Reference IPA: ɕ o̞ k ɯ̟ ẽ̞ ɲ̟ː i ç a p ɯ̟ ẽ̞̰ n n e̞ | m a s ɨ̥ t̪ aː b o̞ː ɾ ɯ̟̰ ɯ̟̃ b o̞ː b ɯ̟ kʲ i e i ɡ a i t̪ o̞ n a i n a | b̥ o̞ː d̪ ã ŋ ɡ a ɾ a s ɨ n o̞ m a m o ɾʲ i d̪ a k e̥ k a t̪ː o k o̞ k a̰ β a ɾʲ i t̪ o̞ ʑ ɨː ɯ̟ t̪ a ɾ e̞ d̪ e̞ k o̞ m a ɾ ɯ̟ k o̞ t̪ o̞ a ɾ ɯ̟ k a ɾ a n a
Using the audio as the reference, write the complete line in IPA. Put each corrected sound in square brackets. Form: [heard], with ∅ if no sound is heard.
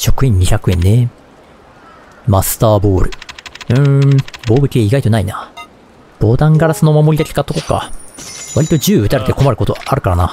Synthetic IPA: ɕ o̞ k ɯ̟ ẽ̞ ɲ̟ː i ç a [k] ɯ̟ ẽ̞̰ n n e̞ | m a s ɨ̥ t̪ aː b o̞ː ɾ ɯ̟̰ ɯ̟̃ b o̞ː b ɯ̟ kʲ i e i ɡ a i t̪ o̞ n a i n a | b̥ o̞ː d̪ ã ŋ ɡ a ɾ a s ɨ n o̞ m a m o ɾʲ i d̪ a k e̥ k a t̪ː o k o̞ k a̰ β a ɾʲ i t̪ o̞ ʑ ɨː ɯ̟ t̪ a ɾ e̞ [t̪] e̞ k o̞ m a ɾ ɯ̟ k o̞ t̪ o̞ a ɾ ɯ̟ k a ɾ a n a